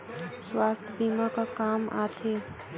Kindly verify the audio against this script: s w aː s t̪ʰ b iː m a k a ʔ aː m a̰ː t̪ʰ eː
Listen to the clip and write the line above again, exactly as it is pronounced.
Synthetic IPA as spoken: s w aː s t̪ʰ b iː m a k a k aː m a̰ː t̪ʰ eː